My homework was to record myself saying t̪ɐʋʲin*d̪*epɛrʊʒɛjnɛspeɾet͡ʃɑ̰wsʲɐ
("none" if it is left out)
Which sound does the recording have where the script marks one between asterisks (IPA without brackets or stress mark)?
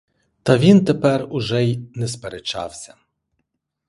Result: t̪